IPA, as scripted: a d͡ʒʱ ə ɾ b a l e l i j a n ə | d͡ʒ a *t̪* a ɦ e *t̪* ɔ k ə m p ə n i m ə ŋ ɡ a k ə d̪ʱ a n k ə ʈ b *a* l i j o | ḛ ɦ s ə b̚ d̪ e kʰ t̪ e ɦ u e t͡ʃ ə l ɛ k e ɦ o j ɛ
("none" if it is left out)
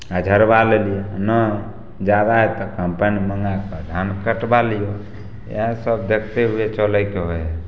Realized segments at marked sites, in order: d̪, t̪, a

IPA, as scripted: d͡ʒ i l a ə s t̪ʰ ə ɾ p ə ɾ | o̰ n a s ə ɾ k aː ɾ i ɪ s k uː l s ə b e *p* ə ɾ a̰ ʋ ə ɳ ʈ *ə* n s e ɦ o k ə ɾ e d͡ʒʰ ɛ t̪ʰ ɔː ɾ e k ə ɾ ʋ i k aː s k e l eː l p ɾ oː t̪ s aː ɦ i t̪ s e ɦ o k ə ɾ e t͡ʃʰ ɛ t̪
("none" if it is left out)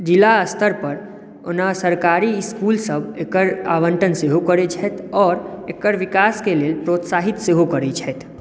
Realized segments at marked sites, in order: k, ə

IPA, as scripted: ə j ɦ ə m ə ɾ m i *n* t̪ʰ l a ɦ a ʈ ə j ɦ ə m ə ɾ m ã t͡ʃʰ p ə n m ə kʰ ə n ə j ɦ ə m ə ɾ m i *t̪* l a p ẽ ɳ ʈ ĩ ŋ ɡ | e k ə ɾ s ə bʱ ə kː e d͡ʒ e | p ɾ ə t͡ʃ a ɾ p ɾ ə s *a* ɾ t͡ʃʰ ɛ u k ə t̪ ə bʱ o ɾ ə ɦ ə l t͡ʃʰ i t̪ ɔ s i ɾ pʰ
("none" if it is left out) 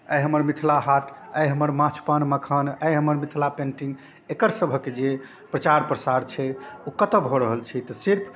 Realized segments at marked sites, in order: none, t̪ʰ, a

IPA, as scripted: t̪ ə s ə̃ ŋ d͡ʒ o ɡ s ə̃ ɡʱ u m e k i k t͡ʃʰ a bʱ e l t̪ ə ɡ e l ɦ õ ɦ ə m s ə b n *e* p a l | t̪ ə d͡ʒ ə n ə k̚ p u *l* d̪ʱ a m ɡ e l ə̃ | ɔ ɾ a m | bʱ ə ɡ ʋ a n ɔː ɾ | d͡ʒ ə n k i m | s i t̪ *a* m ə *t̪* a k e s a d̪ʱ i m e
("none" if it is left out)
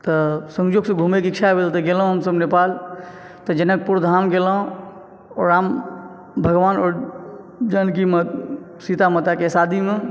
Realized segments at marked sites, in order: e, ɾ, a, t̪

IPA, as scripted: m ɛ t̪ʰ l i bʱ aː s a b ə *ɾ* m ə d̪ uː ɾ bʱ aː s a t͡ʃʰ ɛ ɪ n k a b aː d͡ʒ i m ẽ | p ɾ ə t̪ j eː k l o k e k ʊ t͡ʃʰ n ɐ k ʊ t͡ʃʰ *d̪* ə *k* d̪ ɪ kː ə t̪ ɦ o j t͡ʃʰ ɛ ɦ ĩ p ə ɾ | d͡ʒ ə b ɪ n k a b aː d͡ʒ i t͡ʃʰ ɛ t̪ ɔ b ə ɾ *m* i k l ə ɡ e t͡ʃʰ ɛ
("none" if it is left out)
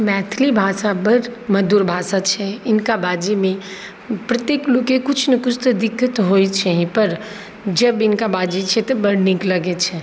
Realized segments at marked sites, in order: ɾ, t̪, none, n

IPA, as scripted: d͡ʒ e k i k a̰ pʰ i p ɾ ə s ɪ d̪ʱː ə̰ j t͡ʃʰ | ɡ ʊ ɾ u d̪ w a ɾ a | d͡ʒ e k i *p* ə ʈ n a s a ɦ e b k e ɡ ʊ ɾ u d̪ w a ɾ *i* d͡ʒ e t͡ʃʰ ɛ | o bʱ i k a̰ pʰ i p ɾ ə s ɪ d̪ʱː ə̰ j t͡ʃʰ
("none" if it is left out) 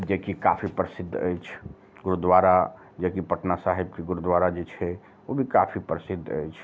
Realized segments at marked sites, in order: p, a

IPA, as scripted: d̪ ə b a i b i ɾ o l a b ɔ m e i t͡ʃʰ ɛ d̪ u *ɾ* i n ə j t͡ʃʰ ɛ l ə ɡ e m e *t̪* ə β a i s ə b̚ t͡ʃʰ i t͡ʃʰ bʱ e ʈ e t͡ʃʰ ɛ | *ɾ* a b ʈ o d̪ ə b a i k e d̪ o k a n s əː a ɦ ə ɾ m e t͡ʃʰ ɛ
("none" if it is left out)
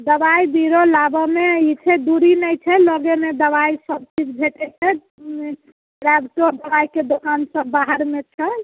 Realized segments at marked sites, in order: ɾ, d̪, ɾ

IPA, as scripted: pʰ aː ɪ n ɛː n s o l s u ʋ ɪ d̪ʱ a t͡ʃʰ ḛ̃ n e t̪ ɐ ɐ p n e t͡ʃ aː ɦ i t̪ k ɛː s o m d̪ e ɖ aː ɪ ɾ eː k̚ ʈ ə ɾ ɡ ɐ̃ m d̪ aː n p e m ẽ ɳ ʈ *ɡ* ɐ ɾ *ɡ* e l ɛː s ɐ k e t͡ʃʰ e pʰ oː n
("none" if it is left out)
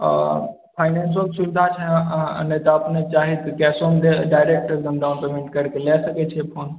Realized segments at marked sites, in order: k, k

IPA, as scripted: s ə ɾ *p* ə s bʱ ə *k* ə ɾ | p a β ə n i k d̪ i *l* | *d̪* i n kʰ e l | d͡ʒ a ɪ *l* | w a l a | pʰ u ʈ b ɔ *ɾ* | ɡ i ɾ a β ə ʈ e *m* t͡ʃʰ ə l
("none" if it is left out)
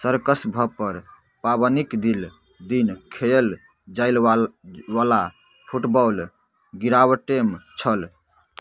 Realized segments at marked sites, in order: k, p, l, d̪, l, l, m

